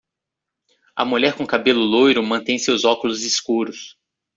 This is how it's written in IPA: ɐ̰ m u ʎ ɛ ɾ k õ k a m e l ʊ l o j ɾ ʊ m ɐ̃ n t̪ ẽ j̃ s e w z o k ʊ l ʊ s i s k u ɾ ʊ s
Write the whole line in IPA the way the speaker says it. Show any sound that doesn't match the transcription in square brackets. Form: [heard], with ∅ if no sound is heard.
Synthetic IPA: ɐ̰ m u ʎ ɛ ɾ k õ k a [b] e l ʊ l o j ɾ ʊ m ɐ̃ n t̪ ẽ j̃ s e w z [ɔ] k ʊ l ʊ [z] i s k u ɾ ʊ s